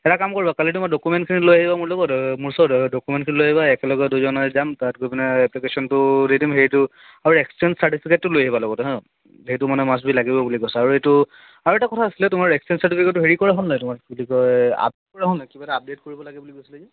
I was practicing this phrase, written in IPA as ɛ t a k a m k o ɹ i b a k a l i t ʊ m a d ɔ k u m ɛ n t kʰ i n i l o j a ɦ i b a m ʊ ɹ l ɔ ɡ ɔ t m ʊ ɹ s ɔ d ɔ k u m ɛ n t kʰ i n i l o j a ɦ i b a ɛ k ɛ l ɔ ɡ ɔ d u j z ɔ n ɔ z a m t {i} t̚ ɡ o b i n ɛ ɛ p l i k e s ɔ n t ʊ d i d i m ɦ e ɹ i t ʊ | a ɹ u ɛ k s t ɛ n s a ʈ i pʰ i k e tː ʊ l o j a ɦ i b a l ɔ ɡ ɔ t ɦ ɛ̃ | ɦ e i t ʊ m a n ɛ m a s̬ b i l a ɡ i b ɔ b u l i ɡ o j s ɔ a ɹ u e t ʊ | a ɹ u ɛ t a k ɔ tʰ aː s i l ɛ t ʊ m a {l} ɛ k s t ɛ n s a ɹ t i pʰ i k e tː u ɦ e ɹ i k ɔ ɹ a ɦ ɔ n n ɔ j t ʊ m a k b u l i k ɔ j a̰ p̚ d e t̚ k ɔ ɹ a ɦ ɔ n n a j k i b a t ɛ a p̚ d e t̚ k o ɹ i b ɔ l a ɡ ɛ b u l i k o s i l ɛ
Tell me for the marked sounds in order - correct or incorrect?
incorrect, incorrect

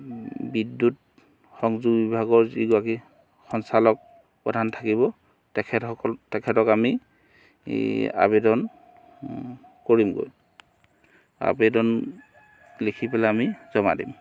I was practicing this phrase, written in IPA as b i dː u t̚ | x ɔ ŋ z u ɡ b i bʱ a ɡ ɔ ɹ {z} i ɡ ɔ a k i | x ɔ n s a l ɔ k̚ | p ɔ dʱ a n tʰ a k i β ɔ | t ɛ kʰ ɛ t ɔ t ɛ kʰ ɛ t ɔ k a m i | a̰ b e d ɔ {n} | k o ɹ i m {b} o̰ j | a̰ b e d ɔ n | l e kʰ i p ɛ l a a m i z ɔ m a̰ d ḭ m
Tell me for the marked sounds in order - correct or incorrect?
correct, correct, incorrect

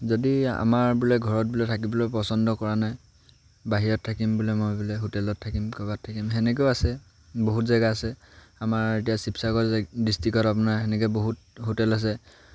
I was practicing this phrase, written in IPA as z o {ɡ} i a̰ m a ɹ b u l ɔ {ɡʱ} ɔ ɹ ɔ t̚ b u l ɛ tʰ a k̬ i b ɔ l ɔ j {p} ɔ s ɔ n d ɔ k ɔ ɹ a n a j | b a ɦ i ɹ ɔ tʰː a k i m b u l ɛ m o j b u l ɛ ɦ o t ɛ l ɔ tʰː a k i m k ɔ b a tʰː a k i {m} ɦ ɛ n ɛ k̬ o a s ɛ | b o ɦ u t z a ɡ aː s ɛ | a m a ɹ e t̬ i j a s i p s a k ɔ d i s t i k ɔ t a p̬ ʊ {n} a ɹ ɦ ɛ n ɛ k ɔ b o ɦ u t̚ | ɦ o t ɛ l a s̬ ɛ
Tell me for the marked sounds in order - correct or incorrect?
incorrect, correct, correct, correct, correct

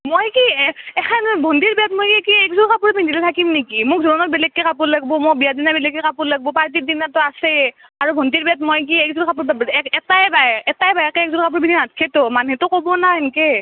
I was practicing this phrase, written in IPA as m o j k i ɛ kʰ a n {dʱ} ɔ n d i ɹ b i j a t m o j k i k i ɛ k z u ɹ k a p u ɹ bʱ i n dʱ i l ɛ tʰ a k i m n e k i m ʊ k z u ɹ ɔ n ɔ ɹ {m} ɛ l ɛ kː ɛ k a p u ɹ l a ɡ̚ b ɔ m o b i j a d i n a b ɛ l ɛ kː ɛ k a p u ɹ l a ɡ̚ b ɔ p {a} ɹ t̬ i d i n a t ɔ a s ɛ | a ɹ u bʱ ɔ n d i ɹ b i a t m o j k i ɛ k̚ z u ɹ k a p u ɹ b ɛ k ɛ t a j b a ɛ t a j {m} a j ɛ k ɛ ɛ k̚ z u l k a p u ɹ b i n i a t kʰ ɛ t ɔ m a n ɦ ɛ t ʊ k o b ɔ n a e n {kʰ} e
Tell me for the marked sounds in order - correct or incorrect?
incorrect, incorrect, correct, incorrect, incorrect

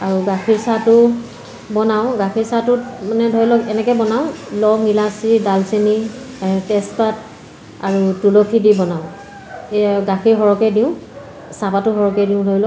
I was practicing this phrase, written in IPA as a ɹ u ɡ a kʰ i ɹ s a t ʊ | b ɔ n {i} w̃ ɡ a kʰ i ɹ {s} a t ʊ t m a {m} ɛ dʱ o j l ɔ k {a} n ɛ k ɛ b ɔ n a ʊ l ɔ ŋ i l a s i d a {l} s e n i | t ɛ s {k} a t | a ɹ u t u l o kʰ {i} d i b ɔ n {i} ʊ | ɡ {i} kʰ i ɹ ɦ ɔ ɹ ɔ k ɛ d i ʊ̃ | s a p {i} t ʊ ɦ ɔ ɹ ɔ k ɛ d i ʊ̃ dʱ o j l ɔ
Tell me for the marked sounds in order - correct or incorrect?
incorrect, correct, incorrect, incorrect, correct, incorrect, correct, incorrect, incorrect, incorrect

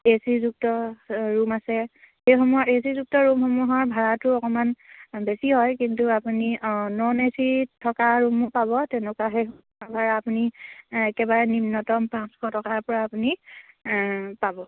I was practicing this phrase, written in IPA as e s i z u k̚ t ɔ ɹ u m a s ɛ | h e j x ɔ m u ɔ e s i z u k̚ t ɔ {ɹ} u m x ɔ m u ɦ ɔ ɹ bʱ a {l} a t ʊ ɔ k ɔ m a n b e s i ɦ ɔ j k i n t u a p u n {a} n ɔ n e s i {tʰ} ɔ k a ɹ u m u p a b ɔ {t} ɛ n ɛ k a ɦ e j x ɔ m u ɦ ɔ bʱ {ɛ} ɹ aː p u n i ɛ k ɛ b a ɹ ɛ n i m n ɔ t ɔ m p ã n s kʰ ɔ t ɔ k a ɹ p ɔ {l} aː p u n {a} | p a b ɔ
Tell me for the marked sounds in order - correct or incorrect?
correct, incorrect, incorrect, correct, correct, incorrect, incorrect, incorrect

